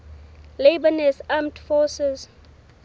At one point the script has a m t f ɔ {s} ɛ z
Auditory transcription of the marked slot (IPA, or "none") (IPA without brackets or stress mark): s